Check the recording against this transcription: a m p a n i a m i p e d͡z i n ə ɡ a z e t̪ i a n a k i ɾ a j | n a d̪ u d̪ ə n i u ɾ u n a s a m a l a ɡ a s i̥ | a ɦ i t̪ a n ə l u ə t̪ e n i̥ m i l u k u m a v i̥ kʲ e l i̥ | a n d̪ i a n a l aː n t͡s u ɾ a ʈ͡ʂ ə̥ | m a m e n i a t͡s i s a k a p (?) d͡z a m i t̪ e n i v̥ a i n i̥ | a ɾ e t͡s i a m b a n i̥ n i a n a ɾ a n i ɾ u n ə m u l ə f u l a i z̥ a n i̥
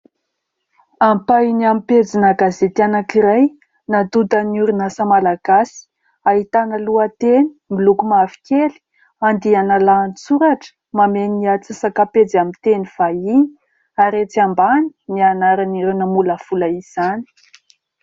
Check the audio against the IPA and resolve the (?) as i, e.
e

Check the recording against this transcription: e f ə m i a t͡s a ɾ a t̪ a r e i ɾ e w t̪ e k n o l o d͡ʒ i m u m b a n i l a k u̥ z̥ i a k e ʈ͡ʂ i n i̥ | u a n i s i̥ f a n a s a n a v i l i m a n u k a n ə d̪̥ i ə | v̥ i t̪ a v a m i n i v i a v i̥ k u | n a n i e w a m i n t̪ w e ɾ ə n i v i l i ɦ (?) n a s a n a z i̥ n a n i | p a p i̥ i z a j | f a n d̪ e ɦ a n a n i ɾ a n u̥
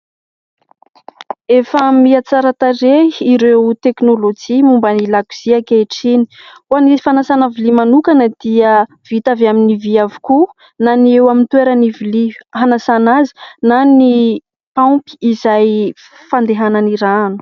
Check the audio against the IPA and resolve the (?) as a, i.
a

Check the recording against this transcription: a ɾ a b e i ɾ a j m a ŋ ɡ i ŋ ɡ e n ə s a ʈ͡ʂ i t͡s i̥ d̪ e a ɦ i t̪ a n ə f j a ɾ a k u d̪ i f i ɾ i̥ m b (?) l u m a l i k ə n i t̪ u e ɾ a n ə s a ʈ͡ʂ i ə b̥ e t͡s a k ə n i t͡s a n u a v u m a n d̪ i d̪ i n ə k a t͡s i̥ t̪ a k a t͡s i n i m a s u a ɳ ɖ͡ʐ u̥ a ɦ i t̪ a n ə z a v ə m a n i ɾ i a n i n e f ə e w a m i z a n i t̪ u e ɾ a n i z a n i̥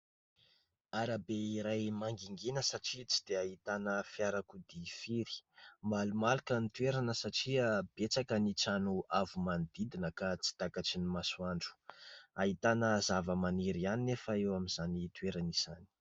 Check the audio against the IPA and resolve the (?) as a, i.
a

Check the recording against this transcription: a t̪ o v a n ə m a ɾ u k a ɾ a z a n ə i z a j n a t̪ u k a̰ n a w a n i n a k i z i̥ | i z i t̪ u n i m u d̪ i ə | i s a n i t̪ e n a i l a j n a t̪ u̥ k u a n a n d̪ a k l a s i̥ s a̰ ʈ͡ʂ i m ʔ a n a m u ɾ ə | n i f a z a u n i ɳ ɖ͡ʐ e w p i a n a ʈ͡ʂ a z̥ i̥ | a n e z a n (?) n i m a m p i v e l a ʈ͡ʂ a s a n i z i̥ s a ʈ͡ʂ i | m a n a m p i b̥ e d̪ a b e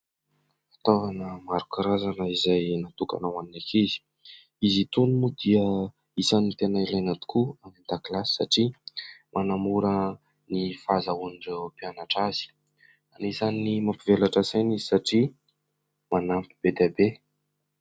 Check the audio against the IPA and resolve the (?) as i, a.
i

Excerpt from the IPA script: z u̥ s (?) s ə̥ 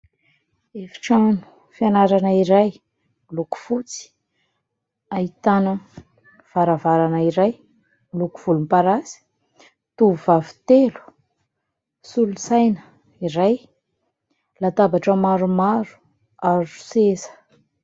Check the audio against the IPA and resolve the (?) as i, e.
e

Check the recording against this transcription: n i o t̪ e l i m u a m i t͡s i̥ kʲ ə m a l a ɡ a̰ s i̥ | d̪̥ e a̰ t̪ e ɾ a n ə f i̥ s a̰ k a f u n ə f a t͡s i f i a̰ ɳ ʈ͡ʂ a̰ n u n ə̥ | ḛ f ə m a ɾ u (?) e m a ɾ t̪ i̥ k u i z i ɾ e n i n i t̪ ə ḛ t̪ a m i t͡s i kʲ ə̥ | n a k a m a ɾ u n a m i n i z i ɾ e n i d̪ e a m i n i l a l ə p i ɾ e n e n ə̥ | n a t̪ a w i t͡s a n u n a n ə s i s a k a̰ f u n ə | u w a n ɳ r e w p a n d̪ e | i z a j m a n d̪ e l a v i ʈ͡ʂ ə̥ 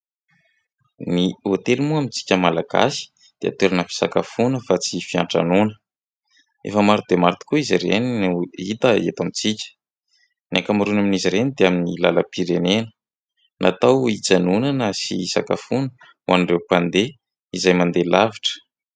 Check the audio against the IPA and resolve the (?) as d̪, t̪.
d̪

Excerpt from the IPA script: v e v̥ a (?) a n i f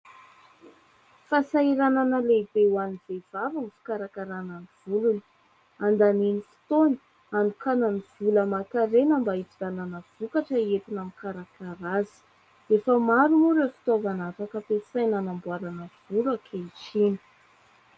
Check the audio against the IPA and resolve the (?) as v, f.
v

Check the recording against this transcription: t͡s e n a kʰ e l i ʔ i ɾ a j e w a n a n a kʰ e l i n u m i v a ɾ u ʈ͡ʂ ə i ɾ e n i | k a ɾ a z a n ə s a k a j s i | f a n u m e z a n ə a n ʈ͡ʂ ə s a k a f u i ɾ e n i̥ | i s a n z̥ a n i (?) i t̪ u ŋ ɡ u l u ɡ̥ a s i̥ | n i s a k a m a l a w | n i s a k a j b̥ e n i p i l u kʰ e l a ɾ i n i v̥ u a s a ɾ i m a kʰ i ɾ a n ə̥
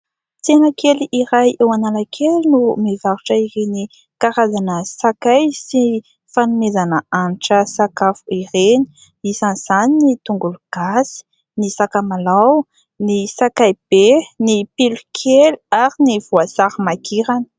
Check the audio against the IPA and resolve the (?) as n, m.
n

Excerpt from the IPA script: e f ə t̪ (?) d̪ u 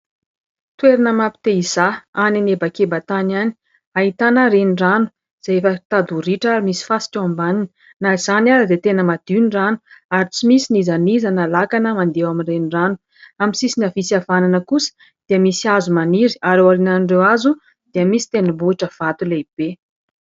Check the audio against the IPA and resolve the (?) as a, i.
a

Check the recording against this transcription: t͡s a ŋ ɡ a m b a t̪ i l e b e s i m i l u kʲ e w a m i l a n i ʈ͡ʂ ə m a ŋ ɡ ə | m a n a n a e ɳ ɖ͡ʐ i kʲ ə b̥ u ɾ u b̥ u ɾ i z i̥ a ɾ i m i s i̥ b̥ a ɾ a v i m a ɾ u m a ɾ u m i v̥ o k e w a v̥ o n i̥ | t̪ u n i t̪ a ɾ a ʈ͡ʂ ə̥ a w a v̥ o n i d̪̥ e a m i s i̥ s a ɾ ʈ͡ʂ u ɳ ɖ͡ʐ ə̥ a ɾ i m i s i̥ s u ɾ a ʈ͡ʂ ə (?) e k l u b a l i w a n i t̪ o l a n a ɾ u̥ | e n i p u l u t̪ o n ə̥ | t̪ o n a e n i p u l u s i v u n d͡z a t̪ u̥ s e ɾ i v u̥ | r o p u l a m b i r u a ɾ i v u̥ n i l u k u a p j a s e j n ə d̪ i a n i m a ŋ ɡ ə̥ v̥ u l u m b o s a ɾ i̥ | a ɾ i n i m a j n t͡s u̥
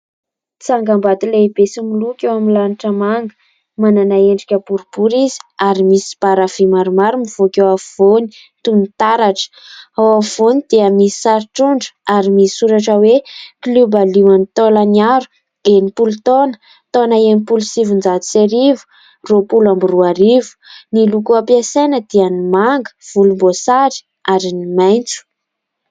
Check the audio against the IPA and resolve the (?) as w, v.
w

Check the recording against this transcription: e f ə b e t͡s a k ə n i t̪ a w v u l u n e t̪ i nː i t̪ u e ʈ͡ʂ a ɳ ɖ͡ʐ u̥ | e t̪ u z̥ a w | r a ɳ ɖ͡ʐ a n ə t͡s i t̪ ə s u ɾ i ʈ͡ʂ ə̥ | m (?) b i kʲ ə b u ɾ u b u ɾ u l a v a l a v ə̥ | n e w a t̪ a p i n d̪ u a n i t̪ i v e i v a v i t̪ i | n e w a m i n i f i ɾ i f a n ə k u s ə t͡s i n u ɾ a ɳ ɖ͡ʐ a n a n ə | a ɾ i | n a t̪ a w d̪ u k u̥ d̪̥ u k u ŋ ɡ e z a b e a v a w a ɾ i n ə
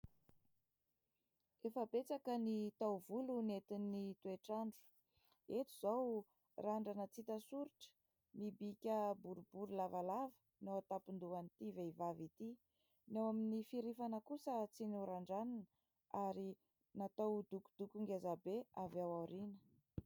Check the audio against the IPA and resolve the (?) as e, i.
i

